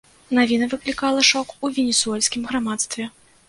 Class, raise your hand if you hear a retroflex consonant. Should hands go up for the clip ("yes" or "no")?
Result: yes